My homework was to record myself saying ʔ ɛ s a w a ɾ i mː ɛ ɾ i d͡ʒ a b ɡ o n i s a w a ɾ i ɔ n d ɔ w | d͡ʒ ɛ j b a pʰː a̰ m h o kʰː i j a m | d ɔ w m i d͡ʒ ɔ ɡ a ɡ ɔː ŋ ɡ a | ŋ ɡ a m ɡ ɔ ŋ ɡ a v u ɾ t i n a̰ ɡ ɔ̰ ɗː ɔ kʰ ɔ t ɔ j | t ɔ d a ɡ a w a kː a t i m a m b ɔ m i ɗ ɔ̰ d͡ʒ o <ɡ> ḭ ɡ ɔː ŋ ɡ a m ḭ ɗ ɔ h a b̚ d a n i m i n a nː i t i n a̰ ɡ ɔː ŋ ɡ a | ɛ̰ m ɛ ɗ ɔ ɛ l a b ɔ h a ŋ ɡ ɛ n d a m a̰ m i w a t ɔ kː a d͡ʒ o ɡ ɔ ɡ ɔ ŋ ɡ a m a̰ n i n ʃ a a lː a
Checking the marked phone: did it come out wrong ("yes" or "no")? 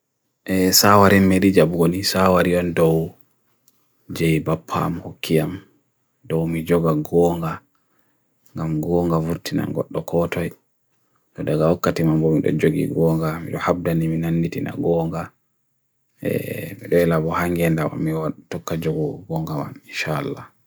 no